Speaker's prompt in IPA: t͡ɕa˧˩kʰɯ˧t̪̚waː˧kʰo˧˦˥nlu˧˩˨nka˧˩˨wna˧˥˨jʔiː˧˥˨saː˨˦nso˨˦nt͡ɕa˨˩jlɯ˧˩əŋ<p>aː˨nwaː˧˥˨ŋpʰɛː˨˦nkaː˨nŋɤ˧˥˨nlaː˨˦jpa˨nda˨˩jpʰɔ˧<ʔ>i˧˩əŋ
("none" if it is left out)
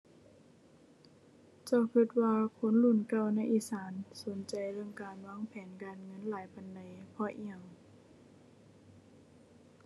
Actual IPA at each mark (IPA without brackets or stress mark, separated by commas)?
k, ʔ